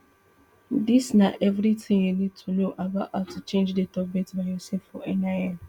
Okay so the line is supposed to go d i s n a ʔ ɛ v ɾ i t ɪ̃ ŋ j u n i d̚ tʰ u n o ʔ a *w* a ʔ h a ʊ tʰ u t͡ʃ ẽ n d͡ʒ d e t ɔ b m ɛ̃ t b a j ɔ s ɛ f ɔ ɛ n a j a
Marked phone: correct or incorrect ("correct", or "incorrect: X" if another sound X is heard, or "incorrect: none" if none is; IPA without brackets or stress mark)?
incorrect: b